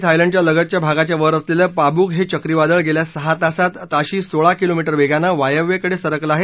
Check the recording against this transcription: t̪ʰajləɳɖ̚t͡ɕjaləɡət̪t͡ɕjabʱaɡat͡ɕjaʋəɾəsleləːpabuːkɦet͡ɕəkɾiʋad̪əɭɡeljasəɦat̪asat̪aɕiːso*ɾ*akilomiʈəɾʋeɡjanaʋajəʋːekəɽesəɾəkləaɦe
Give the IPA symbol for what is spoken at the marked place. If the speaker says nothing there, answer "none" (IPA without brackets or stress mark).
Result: ɭ